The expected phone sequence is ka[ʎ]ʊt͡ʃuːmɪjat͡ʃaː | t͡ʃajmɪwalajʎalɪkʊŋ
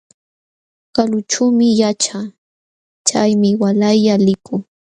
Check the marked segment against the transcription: incorrect: l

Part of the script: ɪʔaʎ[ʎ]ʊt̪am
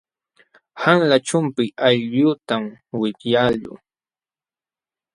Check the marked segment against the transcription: correct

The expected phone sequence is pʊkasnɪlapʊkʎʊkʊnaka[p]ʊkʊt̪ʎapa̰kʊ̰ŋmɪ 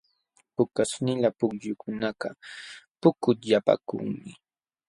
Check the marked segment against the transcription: correct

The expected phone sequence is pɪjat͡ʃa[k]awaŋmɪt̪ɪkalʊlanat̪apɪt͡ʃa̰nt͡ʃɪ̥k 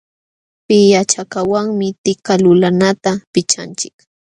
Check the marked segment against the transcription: correct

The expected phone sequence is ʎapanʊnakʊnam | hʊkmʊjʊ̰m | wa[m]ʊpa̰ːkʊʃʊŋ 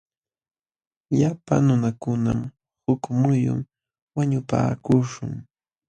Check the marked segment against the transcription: incorrect: ɲ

